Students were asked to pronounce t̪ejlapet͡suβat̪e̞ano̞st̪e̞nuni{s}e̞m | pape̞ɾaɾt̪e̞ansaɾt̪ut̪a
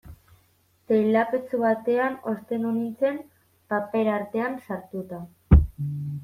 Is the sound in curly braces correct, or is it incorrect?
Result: incorrect